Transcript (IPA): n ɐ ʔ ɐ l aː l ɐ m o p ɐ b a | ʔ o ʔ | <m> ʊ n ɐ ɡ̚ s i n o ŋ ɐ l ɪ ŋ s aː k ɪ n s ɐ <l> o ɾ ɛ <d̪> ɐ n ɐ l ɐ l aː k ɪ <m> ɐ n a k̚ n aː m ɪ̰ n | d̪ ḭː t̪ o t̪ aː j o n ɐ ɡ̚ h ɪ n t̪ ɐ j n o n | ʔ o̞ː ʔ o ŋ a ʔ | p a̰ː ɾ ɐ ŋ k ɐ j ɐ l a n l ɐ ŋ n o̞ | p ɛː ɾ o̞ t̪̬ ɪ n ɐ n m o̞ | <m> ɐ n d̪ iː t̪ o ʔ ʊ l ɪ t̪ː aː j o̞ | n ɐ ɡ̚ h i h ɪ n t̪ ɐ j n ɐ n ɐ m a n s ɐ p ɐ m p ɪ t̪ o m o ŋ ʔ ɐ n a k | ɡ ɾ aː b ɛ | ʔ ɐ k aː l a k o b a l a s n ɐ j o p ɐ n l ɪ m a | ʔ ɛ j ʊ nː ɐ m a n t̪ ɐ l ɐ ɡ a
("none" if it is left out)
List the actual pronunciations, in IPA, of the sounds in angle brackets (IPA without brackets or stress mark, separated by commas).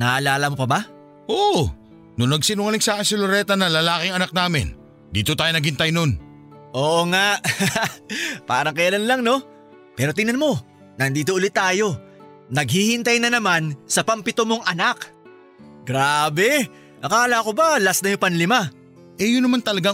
n, l, t̪, ŋ, n